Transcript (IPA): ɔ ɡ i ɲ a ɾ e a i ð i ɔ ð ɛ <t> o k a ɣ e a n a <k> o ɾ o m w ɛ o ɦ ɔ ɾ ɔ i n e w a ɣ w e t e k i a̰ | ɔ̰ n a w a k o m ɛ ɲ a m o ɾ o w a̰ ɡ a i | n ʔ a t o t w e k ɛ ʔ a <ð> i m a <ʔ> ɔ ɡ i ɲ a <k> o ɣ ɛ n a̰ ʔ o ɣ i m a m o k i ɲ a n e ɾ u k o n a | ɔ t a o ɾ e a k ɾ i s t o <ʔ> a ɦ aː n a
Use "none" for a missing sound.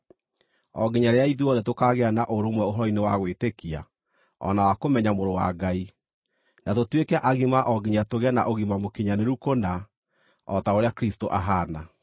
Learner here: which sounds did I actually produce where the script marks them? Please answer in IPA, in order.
t, ʔ, ɣ, ʔ, t, ʔ

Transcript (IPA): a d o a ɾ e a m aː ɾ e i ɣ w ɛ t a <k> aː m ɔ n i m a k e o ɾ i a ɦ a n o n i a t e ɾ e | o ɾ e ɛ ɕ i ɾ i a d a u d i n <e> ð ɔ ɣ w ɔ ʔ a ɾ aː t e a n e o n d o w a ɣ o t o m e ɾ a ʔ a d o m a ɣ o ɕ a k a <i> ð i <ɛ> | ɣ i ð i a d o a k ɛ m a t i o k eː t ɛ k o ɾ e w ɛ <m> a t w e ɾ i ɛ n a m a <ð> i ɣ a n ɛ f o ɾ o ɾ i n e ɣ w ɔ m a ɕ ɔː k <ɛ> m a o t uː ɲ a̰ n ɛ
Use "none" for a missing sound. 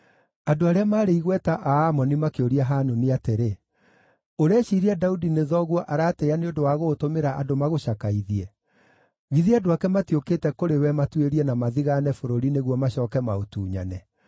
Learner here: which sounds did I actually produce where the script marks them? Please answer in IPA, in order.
ʔ, e, i, ɛ, m, ð, ɛ

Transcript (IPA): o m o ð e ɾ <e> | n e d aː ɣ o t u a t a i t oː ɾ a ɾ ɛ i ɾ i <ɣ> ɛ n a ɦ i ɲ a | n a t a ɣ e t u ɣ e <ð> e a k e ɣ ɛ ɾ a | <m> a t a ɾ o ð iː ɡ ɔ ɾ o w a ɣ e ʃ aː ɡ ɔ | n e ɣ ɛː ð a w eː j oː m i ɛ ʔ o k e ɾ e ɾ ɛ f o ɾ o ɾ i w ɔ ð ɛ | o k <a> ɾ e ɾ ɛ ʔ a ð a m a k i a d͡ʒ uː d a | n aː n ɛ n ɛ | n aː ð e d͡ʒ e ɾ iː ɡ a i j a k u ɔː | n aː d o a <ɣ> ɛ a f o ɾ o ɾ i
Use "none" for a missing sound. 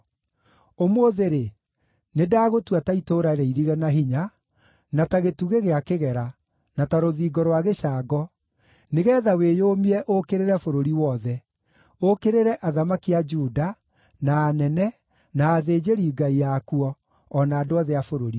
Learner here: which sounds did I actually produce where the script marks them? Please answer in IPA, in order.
e, ɣ, ɣ, n, e, ð

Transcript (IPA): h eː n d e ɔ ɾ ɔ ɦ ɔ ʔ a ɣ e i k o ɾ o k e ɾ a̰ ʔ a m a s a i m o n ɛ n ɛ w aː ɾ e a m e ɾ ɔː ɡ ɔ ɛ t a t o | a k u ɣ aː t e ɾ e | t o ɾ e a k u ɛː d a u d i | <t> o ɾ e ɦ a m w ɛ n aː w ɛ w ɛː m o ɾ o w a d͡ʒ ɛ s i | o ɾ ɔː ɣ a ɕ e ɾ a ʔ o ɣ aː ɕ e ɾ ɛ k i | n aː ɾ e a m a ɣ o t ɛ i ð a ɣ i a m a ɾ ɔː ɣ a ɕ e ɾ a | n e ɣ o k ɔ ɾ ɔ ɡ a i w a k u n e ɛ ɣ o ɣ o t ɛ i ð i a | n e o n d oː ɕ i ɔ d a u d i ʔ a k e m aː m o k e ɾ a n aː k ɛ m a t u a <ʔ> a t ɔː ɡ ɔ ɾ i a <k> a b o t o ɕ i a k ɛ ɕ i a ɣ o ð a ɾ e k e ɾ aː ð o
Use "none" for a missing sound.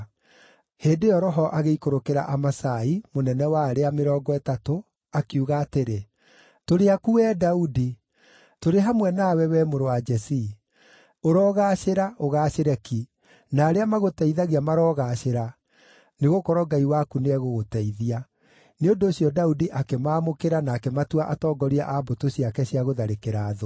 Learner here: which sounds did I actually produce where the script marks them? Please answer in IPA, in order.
t, ʔ, ʔ

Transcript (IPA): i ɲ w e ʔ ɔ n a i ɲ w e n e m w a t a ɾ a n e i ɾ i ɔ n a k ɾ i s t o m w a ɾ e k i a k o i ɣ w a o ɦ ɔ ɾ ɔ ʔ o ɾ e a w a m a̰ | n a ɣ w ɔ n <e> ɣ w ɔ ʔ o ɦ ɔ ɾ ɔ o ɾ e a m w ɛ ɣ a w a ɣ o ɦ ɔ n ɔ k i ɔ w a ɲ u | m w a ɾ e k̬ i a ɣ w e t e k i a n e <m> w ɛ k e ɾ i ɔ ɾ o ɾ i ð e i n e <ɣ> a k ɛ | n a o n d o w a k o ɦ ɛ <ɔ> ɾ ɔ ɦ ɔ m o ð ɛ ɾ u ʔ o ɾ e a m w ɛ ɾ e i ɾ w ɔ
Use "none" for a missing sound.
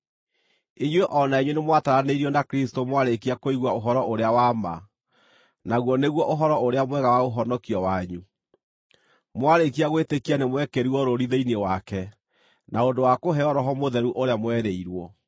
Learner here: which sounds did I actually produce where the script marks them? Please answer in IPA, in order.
e, m, w, ɔ

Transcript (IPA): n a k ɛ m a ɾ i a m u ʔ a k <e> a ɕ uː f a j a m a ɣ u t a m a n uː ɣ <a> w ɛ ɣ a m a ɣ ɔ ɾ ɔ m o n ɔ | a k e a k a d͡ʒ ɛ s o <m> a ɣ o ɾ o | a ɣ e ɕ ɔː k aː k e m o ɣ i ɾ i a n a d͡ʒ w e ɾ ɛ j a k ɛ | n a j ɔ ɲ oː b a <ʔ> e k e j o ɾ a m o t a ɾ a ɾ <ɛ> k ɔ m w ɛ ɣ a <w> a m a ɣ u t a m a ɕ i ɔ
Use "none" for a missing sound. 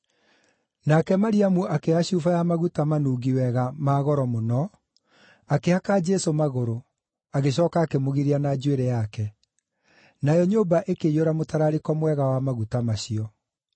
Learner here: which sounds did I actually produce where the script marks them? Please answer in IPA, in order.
e, i, m, ʔ, e, w

